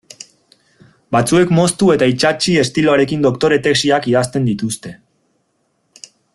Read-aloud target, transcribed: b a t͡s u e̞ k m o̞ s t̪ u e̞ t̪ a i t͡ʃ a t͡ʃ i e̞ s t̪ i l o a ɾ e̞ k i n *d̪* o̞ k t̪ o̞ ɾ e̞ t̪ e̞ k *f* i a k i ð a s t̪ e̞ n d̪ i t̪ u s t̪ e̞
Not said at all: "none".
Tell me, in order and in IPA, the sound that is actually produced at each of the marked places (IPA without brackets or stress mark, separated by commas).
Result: d̪, s